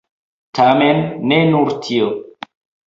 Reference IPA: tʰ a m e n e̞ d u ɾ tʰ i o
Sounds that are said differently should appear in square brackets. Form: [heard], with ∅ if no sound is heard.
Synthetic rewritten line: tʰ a m e [nː] e̞ [n] u ɾ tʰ i o